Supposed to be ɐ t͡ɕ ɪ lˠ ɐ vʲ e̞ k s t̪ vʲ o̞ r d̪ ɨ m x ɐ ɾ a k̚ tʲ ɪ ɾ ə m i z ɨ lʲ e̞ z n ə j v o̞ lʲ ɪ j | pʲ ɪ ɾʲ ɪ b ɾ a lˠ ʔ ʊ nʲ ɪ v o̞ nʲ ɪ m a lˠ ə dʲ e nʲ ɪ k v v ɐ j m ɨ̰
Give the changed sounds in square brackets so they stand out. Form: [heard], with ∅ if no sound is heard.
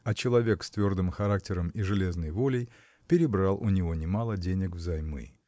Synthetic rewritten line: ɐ t͡ɕ ɪ lˠ ɐ vʲ e̞ k s t̪ vʲ o̞ r d̪ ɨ m x ɐ ɾ a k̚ tʲ ɪ ɾ ə m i [ʐ] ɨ lʲ e̞ z n ə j v o̞ lʲ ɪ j | pʲ ɪ ɾʲ ɪ b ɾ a lˠ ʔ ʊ nʲ ɪ v o̞ nʲ ɪ m a lˠ ə dʲ e nʲ ɪ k v [z] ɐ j m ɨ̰